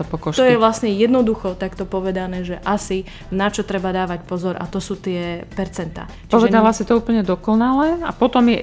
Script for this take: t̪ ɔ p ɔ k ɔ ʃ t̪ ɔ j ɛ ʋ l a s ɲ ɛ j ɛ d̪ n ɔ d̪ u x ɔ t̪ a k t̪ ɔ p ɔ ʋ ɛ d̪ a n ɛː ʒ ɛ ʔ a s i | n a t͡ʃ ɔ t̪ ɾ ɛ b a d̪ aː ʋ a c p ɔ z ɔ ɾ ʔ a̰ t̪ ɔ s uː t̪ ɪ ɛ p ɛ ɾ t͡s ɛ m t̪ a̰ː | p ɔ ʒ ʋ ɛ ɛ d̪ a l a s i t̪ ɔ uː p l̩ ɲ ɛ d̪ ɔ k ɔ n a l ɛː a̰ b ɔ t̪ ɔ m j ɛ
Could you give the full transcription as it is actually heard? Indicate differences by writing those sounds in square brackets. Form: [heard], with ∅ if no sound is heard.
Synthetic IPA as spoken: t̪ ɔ p ɔ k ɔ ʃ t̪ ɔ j ɛ ʋ l a s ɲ ɛ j ɛ d̪ n ɔ d̪ u x ɔ t̪ a k t̪ ɔ p ɔ ʋ ɛ d̪ a n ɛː ʒ ɛ ʔ a s i | n a t͡ʃ ɔ t̪ ɾ ɛ b a d̪ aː ʋ a c p ɔ z ɔ ɾ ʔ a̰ t̪ ɔ s uː t̪ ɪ ɛ p ɛ ɾ t͡s ɛ [n] t̪ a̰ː | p ɔ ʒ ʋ ɛ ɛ d̪ a l a s i t̪ ɔ uː p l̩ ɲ ɛ d̪ ɔ k ɔ n a l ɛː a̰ [p] ɔ t̪ ɔ m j ɛ